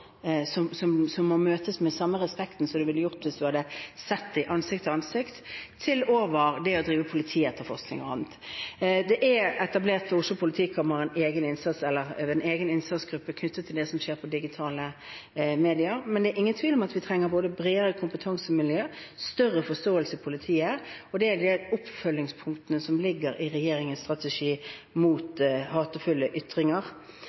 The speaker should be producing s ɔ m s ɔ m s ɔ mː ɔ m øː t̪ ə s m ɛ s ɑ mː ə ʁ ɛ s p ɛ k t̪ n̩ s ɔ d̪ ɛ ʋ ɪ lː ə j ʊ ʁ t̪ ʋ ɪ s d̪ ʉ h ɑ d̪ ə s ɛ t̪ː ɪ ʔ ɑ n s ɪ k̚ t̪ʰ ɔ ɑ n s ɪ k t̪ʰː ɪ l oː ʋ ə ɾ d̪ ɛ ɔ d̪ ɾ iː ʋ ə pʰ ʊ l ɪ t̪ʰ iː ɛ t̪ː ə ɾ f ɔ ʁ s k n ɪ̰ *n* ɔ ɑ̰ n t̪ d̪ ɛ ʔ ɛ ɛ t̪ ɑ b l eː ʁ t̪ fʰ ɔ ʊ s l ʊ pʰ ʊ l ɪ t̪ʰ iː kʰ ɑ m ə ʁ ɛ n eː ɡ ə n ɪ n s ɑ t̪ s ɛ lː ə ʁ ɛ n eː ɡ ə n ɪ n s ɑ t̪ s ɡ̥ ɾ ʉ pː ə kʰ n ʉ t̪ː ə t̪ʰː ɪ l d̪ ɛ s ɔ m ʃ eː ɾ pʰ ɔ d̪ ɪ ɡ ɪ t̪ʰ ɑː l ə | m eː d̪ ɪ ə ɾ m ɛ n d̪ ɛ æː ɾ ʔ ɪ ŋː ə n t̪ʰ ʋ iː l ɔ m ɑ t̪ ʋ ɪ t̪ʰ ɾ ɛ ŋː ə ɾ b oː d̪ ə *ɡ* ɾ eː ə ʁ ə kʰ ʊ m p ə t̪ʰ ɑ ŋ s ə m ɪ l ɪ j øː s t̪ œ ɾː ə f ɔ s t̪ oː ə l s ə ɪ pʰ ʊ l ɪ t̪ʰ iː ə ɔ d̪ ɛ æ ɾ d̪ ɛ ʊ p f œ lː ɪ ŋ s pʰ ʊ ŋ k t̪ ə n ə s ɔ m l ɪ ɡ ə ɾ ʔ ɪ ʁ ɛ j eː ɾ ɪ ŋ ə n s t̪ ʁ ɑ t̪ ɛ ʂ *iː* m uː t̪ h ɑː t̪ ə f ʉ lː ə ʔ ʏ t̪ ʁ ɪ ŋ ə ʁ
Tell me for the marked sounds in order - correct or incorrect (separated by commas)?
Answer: incorrect, incorrect, correct